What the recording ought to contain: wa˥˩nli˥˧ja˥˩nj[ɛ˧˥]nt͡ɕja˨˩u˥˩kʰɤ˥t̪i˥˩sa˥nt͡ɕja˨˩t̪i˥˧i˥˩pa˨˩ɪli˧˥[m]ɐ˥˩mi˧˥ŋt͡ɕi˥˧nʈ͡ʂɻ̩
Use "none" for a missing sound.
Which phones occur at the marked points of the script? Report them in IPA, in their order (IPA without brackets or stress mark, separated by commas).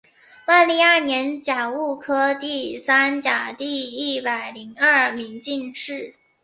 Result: ɛ˧˥, ŋ